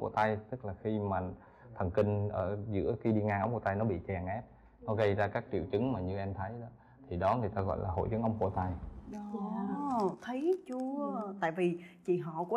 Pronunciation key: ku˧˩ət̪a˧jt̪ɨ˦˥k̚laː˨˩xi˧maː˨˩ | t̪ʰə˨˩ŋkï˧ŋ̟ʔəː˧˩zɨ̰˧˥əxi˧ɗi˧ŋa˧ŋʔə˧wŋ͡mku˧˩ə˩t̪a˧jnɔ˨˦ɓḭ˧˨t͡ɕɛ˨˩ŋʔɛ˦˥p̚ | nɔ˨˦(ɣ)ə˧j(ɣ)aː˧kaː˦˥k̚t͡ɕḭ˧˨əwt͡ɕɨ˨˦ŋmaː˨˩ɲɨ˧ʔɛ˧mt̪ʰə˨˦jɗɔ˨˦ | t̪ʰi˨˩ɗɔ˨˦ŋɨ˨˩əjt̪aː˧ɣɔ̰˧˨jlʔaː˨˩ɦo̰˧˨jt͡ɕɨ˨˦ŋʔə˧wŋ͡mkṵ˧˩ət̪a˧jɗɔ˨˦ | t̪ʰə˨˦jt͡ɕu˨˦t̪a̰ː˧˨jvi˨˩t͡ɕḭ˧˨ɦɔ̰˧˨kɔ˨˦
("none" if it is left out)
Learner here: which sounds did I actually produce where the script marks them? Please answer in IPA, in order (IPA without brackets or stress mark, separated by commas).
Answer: ɣ, z